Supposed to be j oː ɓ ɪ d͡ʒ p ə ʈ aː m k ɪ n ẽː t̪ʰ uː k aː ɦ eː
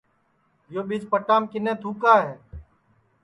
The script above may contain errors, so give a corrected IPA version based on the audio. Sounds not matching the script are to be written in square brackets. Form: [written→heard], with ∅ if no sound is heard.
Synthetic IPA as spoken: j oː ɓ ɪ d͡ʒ p ə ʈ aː m k ɪ n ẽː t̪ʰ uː k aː ɦ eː